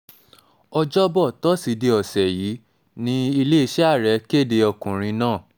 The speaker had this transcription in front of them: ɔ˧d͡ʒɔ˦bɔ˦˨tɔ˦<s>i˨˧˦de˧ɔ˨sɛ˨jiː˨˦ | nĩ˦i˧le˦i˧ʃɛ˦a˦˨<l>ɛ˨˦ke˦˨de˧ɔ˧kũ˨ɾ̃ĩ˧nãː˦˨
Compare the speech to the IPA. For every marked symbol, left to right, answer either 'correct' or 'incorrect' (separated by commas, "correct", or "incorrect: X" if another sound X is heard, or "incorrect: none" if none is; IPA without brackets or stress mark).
correct, incorrect: ɾ